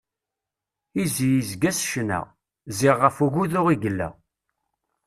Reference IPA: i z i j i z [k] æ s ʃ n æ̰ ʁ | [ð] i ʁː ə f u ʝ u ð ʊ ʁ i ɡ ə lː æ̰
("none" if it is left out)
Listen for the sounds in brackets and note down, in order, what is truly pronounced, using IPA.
ɡ, z

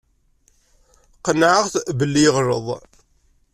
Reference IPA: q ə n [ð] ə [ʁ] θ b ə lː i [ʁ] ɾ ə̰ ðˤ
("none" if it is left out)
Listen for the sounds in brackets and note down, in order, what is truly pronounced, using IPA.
ʕ, ʁ, ʁ

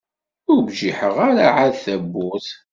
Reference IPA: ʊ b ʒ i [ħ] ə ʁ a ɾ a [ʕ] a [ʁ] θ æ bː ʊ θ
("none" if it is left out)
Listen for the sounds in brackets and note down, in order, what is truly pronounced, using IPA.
ħ, ʕ, ð

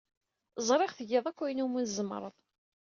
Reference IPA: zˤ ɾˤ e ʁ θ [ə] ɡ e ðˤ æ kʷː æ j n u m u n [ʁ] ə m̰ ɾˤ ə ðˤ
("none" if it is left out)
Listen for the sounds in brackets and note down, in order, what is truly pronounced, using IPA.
ə, z

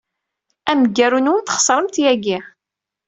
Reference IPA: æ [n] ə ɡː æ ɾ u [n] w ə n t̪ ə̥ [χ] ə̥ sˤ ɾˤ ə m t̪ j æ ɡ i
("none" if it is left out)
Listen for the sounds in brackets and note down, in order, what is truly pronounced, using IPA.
m, n, χ

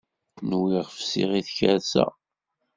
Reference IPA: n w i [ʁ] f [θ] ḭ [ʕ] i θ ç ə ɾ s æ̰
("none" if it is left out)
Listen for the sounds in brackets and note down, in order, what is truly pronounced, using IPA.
ʁ, s, ʁ

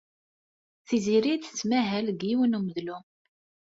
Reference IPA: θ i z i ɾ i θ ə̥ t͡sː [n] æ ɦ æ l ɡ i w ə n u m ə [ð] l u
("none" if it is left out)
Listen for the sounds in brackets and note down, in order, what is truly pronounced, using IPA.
m, ð

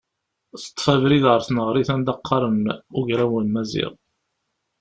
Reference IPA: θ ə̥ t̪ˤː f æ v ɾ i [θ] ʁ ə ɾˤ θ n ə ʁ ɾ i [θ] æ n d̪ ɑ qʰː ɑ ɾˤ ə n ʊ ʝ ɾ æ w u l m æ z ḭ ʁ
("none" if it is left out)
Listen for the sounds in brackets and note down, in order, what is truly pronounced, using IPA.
ð, θ

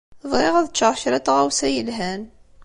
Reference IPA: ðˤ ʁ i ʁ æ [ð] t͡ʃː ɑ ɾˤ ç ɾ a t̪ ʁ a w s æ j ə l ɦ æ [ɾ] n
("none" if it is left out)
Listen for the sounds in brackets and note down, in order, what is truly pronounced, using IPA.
ð, none

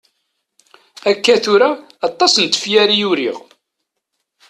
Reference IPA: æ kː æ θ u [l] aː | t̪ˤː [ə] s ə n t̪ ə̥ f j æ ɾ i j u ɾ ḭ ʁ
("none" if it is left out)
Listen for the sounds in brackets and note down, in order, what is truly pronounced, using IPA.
ɾ, ɑ

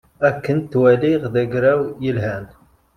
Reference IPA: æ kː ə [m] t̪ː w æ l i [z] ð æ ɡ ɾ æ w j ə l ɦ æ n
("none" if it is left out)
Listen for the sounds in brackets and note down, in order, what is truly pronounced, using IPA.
n, ʁ

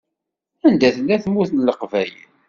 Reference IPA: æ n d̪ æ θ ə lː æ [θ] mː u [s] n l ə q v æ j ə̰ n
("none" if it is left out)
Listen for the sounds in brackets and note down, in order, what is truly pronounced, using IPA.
θ, θ

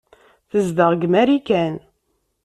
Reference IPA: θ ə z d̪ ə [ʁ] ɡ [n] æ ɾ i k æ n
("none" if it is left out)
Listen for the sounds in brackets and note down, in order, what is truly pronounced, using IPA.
ʁ, m

